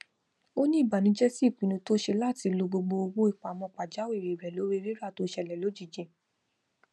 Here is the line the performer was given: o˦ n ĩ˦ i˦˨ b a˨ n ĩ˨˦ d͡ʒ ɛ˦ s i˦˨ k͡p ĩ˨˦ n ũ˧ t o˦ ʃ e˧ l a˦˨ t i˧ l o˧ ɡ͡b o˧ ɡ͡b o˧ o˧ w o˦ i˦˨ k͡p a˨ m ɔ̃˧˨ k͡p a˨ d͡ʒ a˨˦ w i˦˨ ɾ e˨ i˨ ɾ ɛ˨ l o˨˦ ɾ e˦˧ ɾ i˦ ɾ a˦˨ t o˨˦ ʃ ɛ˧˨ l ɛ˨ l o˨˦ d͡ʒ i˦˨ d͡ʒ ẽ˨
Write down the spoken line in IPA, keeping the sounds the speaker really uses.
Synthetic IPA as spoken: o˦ n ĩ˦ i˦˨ b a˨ n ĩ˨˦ d͡ʒ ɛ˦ s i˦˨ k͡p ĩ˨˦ n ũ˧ t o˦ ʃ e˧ l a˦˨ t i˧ l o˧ ɡ͡b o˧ ɡ͡b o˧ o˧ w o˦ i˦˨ k͡p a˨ m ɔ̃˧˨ k͡p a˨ d͡ʒ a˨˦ w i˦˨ ɾ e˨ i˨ ɾ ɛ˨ l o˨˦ ɾ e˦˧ ɾ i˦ ɾ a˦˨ t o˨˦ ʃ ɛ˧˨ l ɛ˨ l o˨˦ d͡ʒ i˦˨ d͡ʒ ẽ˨